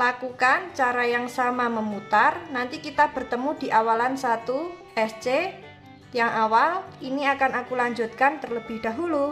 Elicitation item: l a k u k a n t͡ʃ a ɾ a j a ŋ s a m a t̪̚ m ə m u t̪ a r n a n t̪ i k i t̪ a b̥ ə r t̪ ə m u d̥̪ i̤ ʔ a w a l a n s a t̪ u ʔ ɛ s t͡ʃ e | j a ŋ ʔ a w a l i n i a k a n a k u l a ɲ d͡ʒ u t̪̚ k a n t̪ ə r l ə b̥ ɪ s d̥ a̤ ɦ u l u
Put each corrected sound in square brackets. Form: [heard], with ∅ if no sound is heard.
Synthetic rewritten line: l a k u k a n t͡ʃ a ɾ a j a ŋ s a m a [∅] m ə m u t̪ a r n a n t̪ i k i t̪ a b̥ ə r t̪ ə m u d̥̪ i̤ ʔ a w a l a n s a t̪ u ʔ ɛ s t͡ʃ e | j a ŋ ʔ a w a l i n i a k a n a k u l a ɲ d͡ʒ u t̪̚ k a n t̪ ə r l ə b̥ ɪ [h] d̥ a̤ ɦ u l u